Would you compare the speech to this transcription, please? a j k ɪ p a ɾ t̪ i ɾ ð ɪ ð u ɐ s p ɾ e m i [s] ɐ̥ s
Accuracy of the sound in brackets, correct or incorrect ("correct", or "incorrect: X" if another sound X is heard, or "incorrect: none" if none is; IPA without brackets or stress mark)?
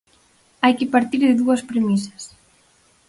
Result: correct